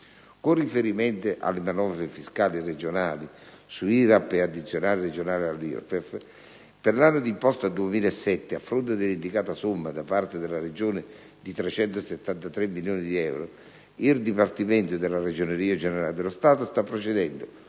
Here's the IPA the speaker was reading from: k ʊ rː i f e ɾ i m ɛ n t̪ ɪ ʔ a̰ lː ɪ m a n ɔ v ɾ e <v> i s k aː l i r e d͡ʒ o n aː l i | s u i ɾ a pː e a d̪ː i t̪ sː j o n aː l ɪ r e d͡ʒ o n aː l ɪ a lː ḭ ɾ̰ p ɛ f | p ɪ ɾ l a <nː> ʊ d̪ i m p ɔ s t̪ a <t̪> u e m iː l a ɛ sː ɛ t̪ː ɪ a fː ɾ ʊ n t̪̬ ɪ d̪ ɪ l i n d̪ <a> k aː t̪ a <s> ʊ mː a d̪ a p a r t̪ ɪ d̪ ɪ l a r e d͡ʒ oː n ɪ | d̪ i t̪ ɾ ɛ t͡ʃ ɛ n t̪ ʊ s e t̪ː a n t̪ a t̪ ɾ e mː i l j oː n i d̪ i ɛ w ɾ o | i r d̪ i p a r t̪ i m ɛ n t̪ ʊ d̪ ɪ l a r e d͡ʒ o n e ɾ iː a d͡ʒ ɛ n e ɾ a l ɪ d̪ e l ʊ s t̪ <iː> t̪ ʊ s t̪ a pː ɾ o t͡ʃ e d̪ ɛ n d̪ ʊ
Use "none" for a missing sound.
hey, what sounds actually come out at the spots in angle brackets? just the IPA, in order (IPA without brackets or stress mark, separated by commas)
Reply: f, nː, d̪, i, s, aː